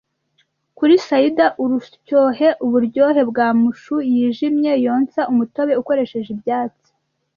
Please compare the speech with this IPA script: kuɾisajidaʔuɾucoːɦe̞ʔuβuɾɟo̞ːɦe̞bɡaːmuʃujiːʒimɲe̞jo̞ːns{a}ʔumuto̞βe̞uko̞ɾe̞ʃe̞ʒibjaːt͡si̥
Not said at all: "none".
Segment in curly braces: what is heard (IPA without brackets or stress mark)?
a